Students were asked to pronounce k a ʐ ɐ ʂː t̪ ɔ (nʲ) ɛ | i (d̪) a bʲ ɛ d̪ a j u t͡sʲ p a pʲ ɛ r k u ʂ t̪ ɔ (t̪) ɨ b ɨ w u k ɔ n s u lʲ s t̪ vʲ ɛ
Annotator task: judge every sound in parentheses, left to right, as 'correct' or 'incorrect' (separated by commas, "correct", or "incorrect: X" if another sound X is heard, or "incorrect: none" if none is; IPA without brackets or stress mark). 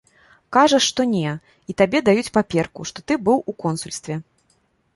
correct, incorrect: t̪, correct